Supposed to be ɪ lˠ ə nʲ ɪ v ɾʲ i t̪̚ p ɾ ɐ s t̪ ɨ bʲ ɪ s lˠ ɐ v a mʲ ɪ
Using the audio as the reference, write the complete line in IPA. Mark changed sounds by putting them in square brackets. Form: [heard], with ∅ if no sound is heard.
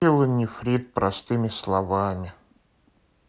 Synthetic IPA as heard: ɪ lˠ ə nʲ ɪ [f] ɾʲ i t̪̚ p ɾ ɐ s t̪ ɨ [mʲ] ɪ s lˠ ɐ v a mʲ ɪ

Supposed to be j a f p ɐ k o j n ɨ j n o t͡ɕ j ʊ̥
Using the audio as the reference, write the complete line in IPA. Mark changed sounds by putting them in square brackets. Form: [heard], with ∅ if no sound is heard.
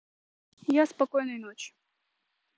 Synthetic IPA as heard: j a [s] p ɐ k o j n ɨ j n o t͡ɕ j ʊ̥

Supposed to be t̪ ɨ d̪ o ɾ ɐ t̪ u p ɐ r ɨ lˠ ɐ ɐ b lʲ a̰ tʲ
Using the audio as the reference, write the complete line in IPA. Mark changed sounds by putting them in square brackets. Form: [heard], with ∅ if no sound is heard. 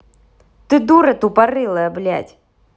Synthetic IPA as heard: t̪ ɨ d̪ [u] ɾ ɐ t̪ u p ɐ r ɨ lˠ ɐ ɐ b lʲ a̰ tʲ

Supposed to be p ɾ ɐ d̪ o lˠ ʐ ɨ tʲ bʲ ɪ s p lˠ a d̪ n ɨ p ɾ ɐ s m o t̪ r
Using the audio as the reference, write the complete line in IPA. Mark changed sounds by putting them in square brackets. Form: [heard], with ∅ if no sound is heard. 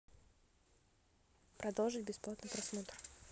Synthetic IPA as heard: p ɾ ɐ d̪ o lˠ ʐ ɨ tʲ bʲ ɪ s p lˠ a [t̪] n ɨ p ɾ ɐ s m o t̪ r

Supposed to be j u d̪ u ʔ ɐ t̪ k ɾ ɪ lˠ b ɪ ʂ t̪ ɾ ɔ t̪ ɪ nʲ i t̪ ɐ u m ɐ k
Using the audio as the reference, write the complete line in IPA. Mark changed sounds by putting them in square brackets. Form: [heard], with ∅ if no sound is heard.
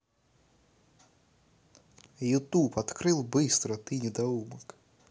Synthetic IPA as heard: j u [t̪] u [p] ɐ t̪ k ɾ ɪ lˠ b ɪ [s] t̪ ɾ ɔ t̪ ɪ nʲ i [d̪] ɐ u m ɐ k

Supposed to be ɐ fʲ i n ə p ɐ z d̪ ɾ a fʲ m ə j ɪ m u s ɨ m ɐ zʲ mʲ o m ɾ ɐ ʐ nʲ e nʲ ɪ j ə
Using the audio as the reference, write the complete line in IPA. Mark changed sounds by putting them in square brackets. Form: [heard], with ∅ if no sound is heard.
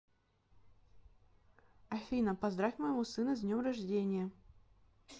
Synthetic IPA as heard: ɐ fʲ i n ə p ɐ z d̪ ɾ a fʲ m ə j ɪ m u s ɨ [n] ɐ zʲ [nʲ] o m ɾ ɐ ʐ [dʲ] e nʲ ɪ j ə

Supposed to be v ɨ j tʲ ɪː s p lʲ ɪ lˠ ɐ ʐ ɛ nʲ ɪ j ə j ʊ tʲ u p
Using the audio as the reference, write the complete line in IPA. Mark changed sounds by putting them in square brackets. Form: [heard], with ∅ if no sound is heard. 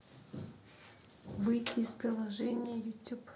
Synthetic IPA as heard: v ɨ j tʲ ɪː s p [ɾʲ] ɪ lˠ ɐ ʐ ɛ nʲ ɪ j ə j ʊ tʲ u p

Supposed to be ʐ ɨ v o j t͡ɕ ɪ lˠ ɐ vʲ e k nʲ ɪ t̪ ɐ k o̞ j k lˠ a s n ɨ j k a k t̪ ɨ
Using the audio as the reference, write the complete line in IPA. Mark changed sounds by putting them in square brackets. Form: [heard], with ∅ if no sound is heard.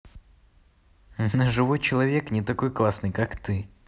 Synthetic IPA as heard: ʐ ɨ v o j t͡ɕ ɪ lˠ ɐ vʲ e k nʲ ɪ t̪ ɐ k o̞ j k lˠ a s n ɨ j k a k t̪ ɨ

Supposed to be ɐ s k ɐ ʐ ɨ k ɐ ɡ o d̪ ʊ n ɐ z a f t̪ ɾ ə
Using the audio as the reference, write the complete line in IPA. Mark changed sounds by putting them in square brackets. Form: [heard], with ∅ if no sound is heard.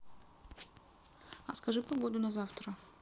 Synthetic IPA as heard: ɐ s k ɐ ʐ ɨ [p] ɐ ɡ o d̪ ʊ n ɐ z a f t̪ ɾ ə

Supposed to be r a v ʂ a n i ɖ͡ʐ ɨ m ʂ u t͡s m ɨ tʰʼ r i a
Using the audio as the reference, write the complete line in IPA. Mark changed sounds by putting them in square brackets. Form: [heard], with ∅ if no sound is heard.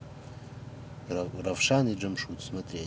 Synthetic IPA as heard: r a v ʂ a n i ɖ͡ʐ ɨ m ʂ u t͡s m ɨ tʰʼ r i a

